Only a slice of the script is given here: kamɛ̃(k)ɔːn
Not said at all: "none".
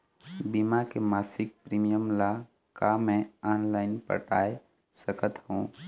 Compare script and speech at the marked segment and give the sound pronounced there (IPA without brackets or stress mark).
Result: none